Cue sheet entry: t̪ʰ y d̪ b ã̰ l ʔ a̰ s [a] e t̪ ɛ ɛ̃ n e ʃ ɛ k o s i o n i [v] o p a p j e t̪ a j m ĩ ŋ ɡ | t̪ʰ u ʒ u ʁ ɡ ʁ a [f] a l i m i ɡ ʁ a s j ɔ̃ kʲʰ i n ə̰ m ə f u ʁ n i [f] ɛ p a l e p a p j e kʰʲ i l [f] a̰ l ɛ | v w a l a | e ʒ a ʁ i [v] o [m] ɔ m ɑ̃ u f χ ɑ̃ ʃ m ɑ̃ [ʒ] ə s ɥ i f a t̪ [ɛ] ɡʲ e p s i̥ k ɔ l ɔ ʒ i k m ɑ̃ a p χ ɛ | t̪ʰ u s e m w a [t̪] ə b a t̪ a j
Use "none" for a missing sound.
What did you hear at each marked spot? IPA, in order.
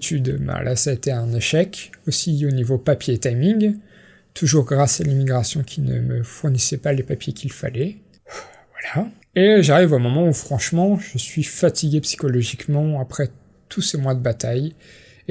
a, v, s, s, f, v, m, ʒ, i, d̪

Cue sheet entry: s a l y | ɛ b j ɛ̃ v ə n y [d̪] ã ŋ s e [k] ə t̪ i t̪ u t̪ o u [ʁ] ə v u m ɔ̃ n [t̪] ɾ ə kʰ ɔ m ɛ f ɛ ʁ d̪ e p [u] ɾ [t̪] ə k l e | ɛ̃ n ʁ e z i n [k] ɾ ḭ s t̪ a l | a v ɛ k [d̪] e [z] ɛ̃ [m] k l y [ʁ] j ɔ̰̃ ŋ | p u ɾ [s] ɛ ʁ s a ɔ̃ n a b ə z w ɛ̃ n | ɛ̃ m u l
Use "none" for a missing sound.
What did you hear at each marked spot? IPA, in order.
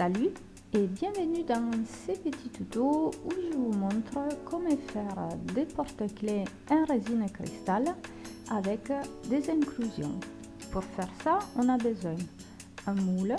d̪, p, ʒ, t̪, ɔ, t̪, k, d̪, z, ŋ, z, f

